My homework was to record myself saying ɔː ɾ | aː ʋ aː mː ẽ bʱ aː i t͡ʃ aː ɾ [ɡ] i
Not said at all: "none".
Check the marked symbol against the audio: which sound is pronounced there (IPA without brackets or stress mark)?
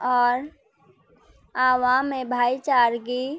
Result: ɡ